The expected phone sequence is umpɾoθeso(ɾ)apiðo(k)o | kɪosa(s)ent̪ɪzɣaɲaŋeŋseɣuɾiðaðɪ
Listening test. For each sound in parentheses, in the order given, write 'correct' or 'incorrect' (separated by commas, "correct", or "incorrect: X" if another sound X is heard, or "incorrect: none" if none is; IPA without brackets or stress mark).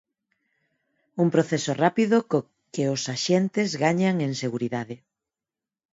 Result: incorrect: r, correct, incorrect: ʃ